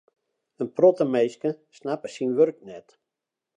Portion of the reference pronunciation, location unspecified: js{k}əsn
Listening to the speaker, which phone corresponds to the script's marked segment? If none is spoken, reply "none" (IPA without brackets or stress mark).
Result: k